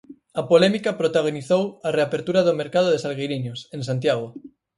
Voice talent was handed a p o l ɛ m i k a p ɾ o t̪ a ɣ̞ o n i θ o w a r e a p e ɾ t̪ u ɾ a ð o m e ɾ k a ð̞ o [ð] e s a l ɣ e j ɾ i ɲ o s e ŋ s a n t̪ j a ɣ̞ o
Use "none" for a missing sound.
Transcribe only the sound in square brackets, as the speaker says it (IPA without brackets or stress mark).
ð